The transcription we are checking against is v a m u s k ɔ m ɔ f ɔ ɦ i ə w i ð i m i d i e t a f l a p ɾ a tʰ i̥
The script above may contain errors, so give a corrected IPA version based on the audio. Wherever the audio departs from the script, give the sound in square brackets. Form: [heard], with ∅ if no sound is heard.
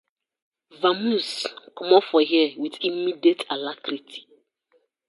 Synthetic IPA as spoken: v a m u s k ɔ m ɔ f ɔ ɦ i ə w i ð i m i d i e t a [∅] l a [k] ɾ [i] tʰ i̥